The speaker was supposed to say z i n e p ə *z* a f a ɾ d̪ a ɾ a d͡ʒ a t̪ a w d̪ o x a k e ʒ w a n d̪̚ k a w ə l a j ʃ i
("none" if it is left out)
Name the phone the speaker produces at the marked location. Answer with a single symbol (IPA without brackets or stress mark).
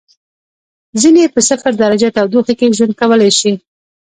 s